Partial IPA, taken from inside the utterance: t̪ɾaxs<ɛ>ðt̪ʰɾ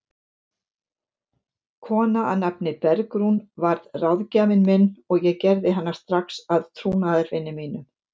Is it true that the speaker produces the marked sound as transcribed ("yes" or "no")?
no